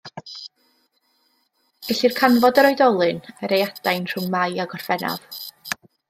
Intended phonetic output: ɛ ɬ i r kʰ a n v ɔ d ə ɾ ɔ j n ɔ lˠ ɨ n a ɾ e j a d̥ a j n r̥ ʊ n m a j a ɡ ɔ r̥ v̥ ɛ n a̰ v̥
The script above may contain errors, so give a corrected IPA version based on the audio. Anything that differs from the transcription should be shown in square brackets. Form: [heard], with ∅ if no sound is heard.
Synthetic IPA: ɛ ɬ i r kʰ a n v ɔ d ə ɾ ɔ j [d] ɔ lˠ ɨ n [ə] ɾ e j a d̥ a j n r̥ ʊ [ŋ] m a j a ɡ ɔ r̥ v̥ ɛ n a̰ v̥